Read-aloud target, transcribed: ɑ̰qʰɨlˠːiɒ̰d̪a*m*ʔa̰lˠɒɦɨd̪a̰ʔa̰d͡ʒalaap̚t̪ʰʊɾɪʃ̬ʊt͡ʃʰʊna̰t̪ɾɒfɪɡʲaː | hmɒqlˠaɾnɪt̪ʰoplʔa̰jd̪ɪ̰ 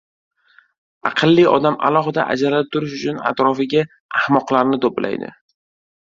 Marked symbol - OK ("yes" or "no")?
yes